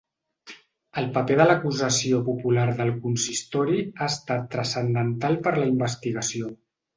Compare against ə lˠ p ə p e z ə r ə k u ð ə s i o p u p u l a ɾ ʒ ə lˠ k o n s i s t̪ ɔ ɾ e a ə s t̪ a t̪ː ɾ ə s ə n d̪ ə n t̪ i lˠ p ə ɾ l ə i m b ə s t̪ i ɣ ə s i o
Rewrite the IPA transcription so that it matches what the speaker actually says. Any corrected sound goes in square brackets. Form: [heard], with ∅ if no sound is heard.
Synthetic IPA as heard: ə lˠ p ə p e [ð] ə [l] ə k u [z] ə s i o p u p u l a ɾ [ð] ə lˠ k [u] n s i s t̪ ɔ ɾ [i] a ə s t̪ a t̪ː ɾ ə s ə n d̪ ə n t̪ [a] lˠ p ə ɾ l ə i m b ə s t̪ i ɣ ə s i o